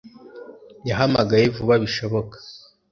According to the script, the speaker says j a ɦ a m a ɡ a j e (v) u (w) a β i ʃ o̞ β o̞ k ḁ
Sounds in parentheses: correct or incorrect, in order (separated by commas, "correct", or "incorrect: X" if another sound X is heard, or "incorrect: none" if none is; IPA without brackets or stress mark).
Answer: correct, incorrect: β